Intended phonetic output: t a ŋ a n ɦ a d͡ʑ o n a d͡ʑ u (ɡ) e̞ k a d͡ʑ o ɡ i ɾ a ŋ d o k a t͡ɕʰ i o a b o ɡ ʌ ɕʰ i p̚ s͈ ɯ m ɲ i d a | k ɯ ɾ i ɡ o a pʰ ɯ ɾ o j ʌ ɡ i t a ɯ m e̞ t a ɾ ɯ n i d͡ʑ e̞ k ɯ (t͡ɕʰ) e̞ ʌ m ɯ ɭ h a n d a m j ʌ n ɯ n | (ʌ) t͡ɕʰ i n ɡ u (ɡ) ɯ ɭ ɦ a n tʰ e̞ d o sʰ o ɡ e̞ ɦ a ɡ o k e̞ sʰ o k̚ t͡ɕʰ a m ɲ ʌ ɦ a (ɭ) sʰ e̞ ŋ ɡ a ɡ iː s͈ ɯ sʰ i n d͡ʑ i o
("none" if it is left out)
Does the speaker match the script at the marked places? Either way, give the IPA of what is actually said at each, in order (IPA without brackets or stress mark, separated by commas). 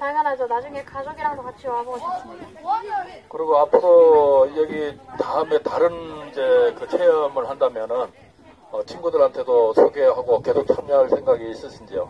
ŋ, t͡ɕʰ, ʌ, d, ɭ